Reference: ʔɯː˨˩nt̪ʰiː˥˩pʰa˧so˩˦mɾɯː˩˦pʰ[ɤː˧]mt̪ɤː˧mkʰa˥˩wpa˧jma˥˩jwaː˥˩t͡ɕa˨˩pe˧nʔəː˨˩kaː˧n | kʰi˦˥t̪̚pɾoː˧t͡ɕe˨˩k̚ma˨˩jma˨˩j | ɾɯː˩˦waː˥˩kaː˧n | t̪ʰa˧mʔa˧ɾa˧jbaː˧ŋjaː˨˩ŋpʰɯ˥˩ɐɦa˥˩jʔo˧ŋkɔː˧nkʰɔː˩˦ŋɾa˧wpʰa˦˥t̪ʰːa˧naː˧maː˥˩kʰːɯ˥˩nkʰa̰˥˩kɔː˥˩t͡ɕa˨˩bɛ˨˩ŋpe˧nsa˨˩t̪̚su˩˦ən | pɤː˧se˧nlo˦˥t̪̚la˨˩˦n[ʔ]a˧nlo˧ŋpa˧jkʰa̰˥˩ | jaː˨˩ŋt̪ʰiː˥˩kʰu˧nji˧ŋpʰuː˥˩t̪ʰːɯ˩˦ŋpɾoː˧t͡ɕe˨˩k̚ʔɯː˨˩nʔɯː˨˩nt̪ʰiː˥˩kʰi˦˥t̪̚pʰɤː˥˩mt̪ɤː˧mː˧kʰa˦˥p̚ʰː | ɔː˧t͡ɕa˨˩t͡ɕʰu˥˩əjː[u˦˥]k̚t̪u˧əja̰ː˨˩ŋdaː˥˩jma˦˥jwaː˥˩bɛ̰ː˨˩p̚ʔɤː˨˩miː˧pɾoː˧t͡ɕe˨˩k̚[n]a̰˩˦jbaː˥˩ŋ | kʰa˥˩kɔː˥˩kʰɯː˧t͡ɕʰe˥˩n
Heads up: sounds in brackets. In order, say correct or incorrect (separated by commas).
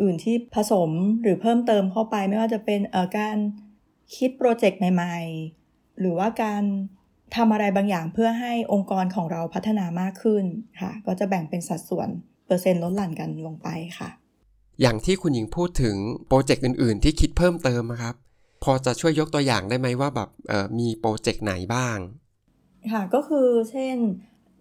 incorrect, incorrect, incorrect, correct